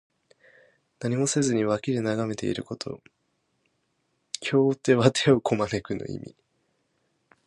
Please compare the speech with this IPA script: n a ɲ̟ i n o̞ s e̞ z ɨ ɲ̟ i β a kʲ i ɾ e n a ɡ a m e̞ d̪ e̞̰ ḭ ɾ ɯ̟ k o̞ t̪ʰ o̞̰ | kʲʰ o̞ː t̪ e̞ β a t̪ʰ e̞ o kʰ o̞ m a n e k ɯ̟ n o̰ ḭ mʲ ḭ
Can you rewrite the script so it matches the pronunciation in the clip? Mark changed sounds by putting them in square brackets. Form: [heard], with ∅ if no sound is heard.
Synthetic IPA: n a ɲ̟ i [m] o̞ s e̞ z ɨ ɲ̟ i β a kʲ i ɾ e n a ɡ a m e̞ [t̪] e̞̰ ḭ ɾ ɯ̟ k o̞ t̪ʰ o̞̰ | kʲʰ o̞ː t̪ e̞ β a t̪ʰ e̞ o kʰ o̞ m a n e k ɯ̟ n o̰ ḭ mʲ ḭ